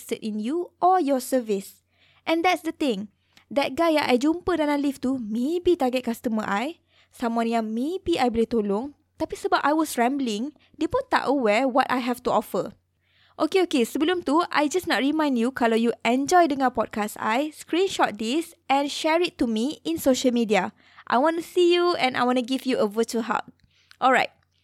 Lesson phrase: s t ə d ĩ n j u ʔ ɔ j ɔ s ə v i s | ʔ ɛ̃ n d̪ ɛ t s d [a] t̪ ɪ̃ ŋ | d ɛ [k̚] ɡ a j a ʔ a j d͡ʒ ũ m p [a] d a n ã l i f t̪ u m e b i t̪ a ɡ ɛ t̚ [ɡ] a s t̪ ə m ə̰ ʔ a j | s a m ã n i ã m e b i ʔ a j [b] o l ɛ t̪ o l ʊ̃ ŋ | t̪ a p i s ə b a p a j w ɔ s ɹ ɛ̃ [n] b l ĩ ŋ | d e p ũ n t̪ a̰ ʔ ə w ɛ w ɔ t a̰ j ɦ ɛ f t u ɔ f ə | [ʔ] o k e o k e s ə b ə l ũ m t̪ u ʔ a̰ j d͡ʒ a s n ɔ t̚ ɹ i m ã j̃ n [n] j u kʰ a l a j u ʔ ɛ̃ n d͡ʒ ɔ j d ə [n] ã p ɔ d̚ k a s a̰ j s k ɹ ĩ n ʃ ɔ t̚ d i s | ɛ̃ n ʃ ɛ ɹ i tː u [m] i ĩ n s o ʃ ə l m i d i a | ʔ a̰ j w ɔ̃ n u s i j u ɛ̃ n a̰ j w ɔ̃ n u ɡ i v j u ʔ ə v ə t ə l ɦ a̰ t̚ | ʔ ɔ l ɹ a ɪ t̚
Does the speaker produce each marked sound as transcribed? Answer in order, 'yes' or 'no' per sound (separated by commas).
no, no, no, no, yes, no, yes, no, no, yes